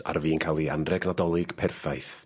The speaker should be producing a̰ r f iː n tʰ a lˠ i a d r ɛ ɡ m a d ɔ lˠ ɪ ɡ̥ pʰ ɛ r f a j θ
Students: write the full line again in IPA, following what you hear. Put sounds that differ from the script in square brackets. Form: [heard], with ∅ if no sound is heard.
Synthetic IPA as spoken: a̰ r [v] iː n [kʰ] a lˠ i a [n] r ɛ ɡ [n] a d ɔ lˠ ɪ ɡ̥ pʰ ɛ r f a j θ